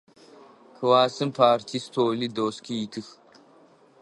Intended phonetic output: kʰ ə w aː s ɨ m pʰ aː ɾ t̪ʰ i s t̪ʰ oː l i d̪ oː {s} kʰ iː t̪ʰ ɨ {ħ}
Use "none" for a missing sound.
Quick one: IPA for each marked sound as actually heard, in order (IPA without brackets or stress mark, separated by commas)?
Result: s, x